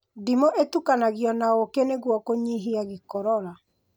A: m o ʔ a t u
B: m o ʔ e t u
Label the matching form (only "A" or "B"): B